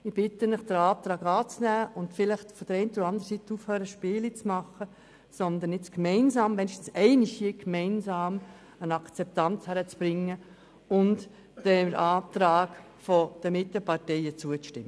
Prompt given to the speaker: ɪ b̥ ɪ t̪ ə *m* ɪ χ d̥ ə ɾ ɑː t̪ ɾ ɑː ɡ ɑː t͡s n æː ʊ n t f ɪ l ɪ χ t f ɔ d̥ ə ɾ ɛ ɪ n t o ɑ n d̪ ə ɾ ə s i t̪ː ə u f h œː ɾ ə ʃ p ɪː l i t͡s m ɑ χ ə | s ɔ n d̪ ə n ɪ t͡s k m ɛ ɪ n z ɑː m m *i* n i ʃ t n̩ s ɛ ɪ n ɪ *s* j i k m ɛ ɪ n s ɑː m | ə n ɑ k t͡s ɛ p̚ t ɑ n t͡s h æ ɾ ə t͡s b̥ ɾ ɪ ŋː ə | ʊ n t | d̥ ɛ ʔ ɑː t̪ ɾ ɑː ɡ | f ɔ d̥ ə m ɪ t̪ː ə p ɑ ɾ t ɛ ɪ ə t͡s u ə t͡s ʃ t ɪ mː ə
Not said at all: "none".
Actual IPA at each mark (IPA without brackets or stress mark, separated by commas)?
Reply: n, ɛ, ʃ